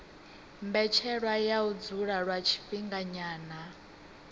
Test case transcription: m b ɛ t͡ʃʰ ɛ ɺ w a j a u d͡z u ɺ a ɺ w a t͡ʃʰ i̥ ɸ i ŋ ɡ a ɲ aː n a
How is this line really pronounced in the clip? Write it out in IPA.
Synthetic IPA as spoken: m b ɛ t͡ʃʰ ɛ ɺ w a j a u d͡z u ɺ a ɺ w a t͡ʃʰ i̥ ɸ i ŋ ɡ a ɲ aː n a